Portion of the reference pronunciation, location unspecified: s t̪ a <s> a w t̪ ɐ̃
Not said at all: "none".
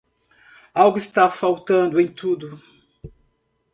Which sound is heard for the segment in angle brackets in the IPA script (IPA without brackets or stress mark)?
f